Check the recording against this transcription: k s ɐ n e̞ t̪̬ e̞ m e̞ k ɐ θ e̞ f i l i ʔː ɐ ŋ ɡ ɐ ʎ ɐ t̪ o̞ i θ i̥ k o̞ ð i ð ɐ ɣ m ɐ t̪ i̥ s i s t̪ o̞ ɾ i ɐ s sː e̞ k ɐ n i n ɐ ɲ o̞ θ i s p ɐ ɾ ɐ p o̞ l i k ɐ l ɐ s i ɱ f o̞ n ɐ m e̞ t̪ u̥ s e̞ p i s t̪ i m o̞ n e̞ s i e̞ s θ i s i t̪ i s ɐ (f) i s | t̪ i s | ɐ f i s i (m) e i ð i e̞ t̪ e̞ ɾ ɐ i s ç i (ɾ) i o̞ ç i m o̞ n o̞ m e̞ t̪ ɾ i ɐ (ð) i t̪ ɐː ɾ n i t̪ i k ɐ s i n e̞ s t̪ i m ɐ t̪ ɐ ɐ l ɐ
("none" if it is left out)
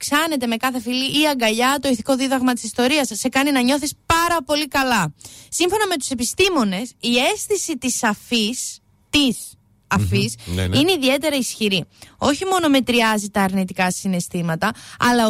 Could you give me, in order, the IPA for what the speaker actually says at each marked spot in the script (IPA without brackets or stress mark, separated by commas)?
f, n, ɾ, z